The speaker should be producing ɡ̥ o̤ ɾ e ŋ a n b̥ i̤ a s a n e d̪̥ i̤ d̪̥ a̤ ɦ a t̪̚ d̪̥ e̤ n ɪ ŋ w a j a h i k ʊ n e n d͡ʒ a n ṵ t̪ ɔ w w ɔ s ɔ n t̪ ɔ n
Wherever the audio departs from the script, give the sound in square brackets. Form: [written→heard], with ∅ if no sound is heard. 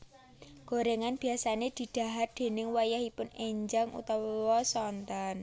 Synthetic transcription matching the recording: ɡ̥ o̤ ɾ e ŋ a n b̥ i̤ a s a n e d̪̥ i̤ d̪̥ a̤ ɦ a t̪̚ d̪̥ e̤ n ɪ ŋ w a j a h i [k→p] ʊ n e [n→ɲ] d͡ʒ a [n→ŋ] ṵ t̪ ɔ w w ɔ s ɔ n t̪ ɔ n